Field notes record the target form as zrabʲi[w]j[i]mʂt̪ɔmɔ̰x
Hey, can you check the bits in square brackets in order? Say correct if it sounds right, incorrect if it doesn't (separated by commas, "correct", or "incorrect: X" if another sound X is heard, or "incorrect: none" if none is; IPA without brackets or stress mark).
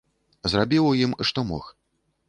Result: correct, correct